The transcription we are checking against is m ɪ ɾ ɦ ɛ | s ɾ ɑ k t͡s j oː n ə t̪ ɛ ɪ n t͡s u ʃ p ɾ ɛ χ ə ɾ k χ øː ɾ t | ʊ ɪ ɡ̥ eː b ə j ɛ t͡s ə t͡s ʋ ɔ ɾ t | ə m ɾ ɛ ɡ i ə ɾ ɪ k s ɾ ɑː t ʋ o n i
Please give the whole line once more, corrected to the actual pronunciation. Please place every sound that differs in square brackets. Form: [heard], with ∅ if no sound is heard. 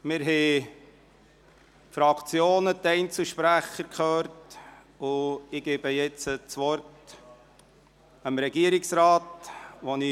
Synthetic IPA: m ɪ ɾ ɦ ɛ | [f] ɾ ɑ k t͡s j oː n ə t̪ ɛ ɪ n t͡s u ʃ p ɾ [æ] χ ə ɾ k χ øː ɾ t | ʊ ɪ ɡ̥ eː b ə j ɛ t͡s ə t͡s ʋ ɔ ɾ t | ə m ɾ ɛ ɡ i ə ɾ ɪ k s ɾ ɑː t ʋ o n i